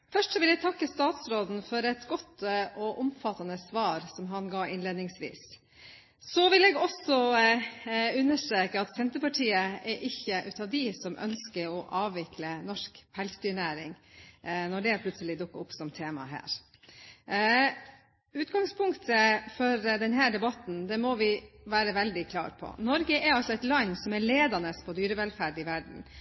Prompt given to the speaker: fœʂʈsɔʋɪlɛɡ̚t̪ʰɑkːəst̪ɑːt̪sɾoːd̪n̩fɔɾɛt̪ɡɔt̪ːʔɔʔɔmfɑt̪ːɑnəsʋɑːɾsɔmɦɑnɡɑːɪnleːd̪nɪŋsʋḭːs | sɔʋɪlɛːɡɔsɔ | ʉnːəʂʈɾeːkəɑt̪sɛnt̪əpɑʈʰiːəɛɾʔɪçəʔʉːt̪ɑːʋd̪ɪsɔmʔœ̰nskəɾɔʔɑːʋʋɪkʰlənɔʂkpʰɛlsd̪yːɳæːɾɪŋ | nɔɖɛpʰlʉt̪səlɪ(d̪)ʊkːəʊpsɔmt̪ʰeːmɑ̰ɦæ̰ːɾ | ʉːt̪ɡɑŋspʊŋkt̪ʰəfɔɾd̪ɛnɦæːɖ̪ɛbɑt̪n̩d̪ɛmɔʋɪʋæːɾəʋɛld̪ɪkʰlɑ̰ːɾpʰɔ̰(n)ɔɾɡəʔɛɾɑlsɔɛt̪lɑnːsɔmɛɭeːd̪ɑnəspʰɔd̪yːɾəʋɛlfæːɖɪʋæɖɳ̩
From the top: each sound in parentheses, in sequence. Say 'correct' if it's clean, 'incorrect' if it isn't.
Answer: correct, correct

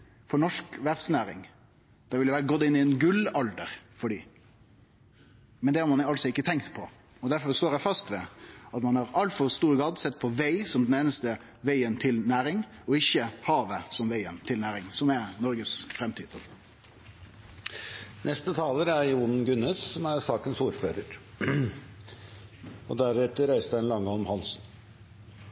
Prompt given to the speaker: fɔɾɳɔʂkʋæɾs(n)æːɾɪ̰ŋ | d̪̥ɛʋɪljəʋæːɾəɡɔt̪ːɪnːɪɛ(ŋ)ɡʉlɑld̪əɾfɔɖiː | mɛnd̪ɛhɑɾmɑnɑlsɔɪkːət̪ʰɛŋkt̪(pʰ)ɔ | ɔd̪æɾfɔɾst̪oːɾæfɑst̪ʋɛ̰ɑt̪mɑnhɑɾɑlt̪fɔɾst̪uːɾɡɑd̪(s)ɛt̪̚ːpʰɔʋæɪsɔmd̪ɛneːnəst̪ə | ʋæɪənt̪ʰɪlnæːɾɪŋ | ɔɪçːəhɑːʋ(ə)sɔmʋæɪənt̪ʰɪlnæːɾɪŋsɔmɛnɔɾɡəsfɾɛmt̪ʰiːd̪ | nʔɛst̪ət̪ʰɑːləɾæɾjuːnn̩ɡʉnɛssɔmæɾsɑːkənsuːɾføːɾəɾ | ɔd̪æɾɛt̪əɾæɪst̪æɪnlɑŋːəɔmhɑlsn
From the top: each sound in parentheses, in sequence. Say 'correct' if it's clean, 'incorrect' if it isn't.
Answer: correct, incorrect: n, correct, correct, correct

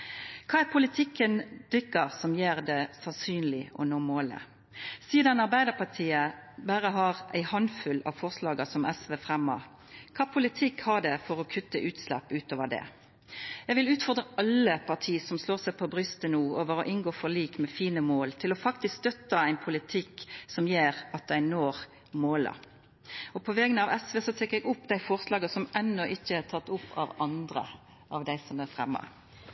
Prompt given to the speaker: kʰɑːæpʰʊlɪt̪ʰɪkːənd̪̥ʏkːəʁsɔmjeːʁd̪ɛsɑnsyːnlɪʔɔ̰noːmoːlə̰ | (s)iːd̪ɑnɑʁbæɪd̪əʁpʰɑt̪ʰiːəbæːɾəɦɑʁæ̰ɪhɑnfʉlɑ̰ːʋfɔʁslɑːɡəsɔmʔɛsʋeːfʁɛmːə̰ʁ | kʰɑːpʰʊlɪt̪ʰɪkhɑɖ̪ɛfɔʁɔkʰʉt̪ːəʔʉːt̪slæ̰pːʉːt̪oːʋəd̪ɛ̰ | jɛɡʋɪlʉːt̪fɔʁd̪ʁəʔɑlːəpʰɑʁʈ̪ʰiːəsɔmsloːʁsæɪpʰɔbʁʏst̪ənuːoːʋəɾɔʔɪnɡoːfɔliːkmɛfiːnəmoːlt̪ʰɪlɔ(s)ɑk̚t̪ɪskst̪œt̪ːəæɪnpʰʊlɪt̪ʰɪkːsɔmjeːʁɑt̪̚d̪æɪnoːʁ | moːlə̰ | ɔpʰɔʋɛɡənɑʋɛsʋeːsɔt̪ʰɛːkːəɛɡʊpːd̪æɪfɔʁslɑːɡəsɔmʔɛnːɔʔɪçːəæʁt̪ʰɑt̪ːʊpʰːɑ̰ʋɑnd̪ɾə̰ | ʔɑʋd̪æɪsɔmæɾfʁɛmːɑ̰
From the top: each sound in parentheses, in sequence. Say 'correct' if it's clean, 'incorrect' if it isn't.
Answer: correct, incorrect: f

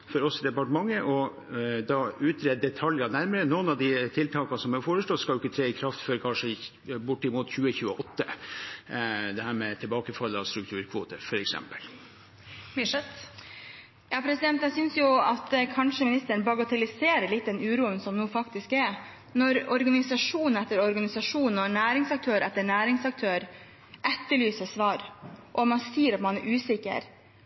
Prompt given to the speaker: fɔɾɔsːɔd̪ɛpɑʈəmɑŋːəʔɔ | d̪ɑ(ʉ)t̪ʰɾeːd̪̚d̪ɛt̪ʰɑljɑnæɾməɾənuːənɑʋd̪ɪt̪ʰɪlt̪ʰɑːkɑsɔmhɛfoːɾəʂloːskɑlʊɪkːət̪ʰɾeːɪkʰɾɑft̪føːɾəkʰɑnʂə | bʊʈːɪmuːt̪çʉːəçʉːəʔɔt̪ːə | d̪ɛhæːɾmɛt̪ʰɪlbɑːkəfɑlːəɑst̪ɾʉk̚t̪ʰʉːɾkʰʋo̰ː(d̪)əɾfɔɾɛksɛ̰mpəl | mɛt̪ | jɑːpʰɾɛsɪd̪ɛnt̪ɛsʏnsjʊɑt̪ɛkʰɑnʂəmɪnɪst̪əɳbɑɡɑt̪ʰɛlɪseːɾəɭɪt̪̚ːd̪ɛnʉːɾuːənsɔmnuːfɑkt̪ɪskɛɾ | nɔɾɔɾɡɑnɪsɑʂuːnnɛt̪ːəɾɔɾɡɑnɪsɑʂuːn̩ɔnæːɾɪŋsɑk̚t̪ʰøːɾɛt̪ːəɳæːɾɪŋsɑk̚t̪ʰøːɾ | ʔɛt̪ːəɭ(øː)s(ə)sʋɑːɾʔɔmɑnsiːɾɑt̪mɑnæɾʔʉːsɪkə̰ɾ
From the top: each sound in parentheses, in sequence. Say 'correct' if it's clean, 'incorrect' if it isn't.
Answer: incorrect: ʉː, incorrect: t̪, incorrect: yː, correct

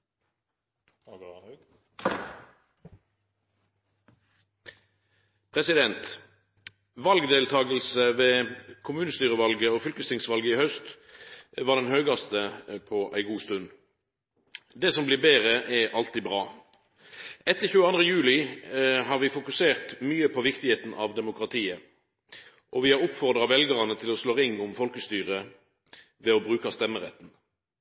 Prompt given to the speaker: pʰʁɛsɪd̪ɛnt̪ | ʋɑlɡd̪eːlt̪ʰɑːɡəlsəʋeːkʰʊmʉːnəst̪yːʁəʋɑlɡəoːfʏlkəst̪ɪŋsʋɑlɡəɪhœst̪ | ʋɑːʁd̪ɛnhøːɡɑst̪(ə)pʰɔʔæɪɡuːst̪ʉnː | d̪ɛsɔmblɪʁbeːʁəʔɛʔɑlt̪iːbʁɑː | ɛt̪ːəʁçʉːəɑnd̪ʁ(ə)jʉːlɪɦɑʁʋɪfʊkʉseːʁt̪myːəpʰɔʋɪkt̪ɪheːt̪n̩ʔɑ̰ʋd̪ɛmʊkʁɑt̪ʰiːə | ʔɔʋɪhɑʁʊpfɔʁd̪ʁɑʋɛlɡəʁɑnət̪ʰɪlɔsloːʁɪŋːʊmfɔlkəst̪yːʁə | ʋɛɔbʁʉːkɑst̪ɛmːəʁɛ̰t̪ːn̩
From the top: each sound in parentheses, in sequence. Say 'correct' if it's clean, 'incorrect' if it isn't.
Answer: correct, correct

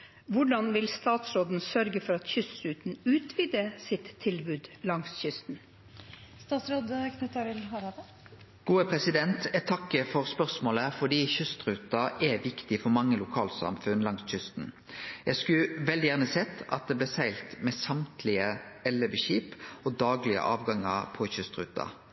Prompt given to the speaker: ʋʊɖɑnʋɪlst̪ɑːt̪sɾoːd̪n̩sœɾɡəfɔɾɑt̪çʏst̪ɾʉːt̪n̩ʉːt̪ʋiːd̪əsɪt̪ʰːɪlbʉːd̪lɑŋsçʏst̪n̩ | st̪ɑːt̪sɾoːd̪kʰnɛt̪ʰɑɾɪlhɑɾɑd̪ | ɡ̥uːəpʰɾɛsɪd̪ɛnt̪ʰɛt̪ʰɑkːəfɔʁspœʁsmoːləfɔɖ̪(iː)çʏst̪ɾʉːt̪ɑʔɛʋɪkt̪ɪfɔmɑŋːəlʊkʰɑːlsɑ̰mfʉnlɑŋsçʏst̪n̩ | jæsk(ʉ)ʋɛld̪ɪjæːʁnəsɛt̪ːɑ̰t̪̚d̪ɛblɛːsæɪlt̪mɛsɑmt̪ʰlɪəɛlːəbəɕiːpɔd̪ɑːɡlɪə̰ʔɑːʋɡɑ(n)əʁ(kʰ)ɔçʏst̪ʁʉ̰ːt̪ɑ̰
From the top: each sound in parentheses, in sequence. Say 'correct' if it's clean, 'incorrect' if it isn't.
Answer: correct, correct, incorrect: ŋ, incorrect: pʰ

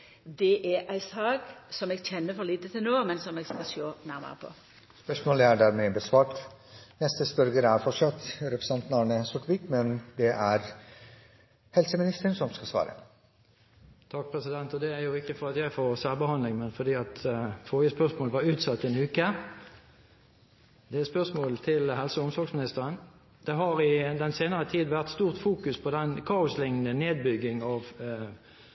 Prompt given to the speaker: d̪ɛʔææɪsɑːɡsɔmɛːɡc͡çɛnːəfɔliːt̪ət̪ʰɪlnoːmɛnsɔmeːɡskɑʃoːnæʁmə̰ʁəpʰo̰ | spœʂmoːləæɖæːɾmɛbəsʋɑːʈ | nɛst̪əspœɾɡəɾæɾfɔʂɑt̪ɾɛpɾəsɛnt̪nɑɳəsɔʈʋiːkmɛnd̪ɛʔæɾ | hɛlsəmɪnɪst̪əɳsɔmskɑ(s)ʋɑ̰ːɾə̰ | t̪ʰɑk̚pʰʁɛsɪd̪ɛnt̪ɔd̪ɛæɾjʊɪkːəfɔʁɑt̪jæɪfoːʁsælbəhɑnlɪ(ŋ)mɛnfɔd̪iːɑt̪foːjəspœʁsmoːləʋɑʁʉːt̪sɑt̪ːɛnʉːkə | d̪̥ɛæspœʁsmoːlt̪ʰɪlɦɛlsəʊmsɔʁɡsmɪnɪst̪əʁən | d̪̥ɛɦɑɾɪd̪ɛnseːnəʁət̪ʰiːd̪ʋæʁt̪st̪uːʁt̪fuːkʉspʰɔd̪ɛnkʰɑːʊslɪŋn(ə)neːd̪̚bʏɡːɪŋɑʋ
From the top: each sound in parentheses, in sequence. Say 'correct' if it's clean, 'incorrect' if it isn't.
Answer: correct, correct, correct

